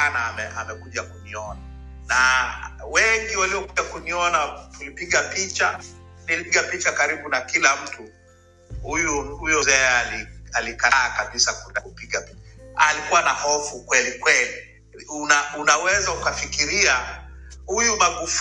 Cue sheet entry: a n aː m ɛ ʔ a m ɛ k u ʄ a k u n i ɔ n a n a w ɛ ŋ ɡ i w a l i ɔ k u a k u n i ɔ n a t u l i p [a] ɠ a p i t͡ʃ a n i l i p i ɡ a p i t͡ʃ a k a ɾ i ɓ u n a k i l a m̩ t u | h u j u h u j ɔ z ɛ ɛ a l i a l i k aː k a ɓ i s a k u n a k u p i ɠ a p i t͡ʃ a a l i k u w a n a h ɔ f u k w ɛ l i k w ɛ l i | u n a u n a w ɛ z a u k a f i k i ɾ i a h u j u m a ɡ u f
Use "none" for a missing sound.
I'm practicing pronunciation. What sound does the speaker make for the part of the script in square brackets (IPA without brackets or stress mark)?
i